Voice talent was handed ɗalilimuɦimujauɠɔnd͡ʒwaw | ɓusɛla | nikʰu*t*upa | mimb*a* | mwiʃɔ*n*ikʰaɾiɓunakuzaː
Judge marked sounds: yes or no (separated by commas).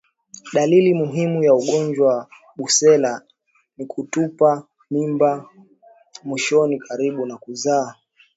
yes, yes, yes